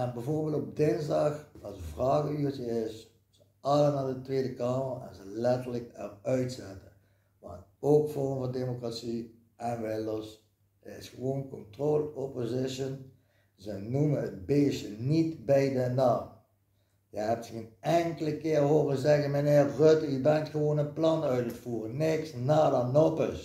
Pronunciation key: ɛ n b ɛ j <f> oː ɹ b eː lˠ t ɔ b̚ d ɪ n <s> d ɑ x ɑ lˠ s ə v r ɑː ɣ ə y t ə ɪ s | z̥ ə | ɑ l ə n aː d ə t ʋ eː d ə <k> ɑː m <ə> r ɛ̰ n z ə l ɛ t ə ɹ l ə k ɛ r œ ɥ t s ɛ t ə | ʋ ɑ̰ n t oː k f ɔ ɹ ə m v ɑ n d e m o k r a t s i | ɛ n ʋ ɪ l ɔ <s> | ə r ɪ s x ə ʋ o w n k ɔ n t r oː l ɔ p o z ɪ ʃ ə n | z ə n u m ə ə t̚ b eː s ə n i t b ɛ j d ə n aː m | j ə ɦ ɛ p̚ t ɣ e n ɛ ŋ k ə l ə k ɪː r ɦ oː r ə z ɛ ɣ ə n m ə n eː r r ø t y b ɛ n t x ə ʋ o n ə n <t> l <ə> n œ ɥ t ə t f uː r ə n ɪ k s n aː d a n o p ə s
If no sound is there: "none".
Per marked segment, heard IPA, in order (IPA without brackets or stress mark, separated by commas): v, z, k, ə, s, p, ɑ